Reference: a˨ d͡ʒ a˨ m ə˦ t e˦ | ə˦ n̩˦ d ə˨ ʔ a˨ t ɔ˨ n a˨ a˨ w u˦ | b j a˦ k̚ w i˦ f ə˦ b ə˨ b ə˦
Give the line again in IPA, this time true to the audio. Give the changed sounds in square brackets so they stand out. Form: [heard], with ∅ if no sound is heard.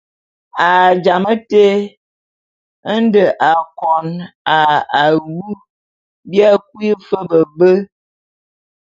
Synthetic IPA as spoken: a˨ d͡ʒ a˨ m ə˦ t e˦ | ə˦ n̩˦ d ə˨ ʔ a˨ [k] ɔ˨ n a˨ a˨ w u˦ | b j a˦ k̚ w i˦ f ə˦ b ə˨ b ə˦